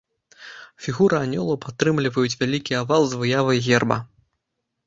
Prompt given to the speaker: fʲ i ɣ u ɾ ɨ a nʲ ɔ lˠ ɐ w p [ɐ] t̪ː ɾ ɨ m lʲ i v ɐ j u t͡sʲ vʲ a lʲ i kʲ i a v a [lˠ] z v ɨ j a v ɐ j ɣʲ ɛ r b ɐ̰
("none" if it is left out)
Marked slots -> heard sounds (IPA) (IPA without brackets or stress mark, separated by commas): a, lˠ